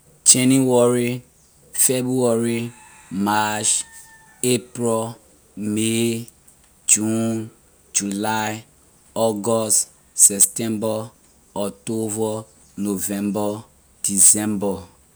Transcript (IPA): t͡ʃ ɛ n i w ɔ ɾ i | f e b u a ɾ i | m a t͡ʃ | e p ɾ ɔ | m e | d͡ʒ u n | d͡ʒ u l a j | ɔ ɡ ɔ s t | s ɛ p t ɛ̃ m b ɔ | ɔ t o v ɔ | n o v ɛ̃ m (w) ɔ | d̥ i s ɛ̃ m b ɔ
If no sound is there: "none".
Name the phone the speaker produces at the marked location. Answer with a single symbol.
b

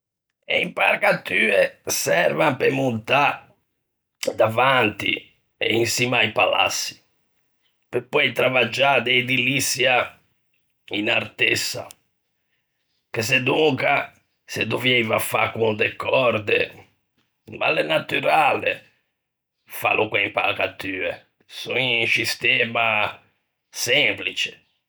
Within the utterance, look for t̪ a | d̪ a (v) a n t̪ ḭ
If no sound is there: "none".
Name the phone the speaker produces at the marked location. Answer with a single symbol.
v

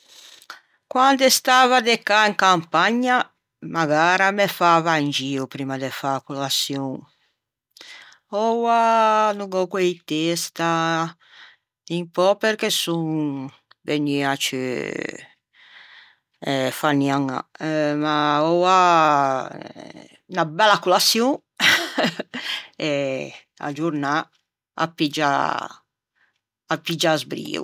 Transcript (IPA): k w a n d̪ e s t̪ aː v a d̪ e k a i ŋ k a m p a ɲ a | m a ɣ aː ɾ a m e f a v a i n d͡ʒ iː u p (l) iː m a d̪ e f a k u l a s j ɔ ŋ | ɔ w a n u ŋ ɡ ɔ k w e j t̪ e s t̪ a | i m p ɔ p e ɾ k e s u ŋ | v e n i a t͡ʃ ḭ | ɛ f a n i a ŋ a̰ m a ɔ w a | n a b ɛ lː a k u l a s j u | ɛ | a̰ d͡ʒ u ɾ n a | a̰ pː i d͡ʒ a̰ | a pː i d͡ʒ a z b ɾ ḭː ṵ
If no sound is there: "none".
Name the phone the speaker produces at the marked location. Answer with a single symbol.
ɾ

